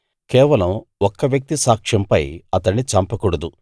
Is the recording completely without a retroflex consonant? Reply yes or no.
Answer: no